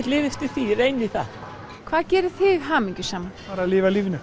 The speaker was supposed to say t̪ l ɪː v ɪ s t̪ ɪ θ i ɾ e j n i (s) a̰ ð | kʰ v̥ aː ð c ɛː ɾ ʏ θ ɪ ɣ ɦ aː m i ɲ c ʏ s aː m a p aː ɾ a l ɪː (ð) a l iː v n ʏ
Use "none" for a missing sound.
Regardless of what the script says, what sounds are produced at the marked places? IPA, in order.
θ, v

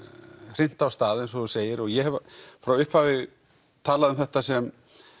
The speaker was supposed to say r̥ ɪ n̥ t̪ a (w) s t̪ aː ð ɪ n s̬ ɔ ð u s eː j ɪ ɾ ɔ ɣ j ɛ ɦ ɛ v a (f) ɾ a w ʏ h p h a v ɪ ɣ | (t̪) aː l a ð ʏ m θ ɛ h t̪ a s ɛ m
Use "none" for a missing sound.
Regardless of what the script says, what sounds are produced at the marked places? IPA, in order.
w, f, t̪ʰ

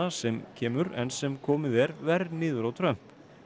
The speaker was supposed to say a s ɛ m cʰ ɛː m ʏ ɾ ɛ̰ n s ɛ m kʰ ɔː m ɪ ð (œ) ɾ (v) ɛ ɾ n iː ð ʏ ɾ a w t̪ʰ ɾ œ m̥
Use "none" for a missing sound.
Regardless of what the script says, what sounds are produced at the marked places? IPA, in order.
ɛ, v

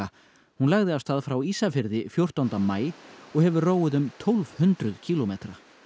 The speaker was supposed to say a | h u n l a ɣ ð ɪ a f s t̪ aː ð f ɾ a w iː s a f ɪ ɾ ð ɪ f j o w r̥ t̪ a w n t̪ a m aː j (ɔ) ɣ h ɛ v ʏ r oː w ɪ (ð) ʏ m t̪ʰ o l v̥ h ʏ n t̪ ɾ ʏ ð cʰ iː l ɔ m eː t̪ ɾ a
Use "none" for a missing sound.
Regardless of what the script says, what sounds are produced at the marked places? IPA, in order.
ɔ, ð

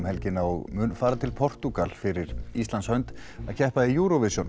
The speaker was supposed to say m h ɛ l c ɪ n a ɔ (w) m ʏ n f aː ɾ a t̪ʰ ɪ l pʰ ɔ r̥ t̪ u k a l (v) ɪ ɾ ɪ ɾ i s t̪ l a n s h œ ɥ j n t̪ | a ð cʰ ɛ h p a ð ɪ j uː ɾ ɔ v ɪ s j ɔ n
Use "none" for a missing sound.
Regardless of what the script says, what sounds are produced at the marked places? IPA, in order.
ɣ, f

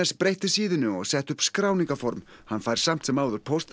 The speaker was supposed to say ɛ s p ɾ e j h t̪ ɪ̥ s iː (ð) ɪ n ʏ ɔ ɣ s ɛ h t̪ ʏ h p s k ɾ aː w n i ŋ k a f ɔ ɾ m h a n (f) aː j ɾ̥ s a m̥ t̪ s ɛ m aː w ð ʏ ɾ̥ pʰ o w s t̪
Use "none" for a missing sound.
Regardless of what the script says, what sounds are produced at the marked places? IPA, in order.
ð, f

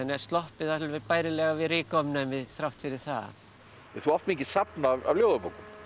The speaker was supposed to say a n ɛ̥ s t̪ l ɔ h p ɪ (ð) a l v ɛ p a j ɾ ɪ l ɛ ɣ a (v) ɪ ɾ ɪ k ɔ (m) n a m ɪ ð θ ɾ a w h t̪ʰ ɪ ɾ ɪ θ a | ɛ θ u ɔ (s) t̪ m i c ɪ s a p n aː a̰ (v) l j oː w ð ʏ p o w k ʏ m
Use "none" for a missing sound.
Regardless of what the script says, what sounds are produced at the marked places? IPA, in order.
ð, v, m, f, v

